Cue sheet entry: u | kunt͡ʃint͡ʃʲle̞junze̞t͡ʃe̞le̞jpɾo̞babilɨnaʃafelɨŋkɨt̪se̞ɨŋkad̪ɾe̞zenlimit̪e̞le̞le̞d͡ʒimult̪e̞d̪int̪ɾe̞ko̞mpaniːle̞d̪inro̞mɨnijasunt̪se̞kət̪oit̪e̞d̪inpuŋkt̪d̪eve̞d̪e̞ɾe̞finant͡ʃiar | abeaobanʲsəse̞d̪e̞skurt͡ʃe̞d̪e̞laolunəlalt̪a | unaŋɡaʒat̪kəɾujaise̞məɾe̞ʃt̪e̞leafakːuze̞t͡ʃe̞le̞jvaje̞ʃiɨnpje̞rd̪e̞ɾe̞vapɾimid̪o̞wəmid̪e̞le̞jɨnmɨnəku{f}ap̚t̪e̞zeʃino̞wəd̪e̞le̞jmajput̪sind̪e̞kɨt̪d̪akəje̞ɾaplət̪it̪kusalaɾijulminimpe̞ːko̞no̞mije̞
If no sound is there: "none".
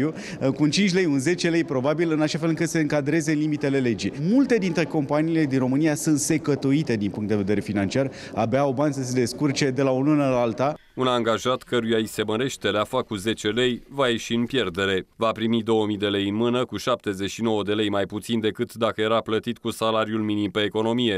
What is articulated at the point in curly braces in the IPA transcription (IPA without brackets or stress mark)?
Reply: ʃ